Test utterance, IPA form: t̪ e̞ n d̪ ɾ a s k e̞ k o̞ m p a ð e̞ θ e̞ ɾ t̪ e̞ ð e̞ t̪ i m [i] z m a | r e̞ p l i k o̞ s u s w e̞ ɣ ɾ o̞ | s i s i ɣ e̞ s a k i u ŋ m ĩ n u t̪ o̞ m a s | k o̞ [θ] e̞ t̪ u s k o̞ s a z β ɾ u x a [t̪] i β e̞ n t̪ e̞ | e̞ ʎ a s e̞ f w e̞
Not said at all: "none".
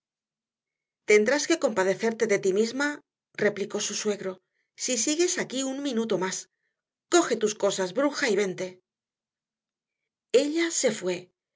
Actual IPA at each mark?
i, x, none

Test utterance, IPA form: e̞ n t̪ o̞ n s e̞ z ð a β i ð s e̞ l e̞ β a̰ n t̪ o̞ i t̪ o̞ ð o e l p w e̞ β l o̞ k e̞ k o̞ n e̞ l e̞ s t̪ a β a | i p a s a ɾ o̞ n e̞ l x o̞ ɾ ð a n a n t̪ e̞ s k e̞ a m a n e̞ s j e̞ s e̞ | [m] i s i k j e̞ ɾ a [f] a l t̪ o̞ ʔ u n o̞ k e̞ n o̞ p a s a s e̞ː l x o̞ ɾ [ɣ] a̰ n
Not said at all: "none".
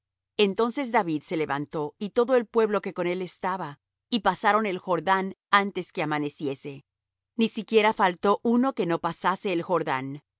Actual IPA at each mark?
n, f, ð

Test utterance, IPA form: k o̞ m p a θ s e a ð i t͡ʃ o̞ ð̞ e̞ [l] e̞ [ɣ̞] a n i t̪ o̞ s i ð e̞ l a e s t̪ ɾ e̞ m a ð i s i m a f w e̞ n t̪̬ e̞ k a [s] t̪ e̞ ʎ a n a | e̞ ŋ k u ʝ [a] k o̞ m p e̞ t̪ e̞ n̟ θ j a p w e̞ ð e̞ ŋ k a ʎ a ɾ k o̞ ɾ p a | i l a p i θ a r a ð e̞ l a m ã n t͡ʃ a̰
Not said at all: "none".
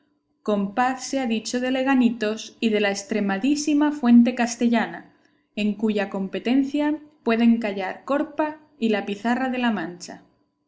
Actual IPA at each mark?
l, ɣ̞, s, a

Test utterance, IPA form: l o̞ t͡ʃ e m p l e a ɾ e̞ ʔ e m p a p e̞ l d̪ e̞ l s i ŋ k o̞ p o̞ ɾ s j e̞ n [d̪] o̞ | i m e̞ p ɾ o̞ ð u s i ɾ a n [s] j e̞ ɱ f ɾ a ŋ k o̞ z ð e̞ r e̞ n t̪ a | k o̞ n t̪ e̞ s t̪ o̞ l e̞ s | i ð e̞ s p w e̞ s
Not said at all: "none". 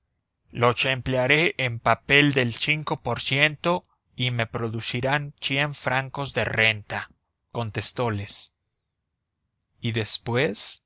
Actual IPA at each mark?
t̪, s

